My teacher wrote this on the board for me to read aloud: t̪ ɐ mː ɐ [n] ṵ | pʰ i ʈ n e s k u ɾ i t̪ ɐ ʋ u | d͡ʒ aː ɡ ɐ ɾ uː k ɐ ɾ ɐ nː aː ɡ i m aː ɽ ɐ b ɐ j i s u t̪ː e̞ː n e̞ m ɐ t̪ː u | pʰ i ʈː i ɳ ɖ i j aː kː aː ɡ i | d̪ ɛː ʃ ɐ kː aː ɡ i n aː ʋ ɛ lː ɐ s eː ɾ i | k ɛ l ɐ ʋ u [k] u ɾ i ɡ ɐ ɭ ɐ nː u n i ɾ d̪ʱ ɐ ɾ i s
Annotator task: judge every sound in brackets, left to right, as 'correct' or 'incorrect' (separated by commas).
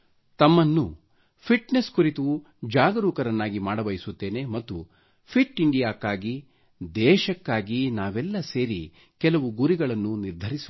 incorrect, incorrect